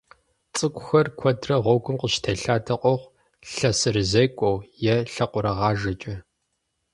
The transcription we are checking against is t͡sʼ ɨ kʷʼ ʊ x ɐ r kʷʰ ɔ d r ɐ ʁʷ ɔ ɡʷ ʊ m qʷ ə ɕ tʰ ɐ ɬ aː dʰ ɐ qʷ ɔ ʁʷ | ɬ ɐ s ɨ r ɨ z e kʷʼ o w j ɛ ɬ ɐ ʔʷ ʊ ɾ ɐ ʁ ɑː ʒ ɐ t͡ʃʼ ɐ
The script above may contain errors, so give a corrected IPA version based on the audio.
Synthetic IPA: t͡sʼ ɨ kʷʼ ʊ x ɐ r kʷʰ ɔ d r ɐ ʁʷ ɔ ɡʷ ʊ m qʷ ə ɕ tʰ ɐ ɬ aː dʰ ɐ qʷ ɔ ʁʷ | ɬ ɐ s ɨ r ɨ z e kʷʼ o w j ɛ ɬ ɐ qʷ ʊ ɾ ɐ ʁ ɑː ʒ ɐ t͡ʃʼ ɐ